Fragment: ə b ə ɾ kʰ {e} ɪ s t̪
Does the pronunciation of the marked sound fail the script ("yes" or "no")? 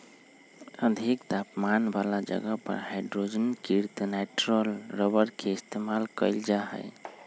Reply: no